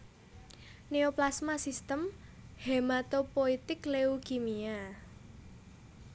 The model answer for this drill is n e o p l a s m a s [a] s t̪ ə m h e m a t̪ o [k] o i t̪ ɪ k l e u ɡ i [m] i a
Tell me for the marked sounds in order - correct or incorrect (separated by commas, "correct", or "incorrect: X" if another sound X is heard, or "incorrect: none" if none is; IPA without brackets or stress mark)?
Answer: incorrect: i, incorrect: p, correct